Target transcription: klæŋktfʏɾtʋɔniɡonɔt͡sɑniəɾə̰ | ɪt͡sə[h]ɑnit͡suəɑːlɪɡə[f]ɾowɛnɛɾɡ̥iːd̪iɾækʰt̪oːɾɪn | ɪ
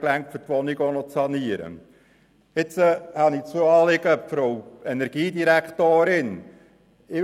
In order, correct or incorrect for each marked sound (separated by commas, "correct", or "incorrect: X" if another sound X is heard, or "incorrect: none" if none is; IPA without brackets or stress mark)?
correct, correct